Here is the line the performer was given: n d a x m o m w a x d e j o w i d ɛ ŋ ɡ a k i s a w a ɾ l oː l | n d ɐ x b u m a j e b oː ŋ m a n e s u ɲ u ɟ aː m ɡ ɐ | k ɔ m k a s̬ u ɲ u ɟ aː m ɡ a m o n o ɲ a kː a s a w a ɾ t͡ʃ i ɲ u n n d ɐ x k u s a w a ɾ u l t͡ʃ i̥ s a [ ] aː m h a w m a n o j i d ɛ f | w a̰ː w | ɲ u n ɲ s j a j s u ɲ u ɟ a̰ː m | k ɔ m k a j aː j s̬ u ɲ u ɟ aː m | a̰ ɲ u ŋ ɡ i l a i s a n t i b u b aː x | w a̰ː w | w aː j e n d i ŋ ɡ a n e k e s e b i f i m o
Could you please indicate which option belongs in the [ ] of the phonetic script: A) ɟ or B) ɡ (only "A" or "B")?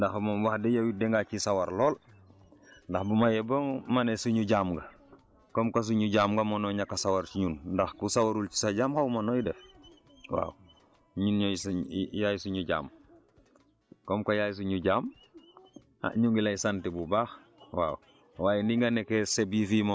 A